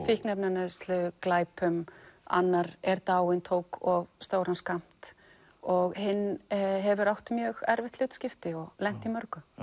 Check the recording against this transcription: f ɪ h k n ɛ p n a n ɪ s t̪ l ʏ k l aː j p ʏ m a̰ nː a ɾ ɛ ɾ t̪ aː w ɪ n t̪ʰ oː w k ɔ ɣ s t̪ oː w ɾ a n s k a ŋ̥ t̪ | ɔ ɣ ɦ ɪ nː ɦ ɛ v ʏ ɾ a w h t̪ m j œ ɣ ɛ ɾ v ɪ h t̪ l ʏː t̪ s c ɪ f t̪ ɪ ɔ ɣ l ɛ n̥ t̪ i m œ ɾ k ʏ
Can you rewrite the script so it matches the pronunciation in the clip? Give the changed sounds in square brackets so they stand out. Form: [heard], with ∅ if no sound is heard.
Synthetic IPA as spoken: f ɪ h k n ɛ p n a n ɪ s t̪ l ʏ k l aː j p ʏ m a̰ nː a ɾ ɛ ɾ t̪ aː w ɪ n t̪ʰ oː w k ɔ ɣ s t̪ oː w ɾ a n s k a [m̥] t̪ | ɔ ɣ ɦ ɪ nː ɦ ɛ v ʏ ɾ a w h t̪ m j œ ɣ ɛ ɾ v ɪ h t̪ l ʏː t̪ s c ɪ f t̪ ɪ ɔ ɣ l ɛ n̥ t̪ i m œ ɾ k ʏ